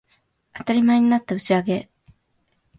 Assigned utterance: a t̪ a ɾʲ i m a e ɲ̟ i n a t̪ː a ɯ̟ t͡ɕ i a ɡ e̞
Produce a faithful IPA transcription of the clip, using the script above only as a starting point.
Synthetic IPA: a t̪ a ɾʲ i m a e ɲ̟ i n a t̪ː a ɯ̟ t͡ɕ i a ɡ e̞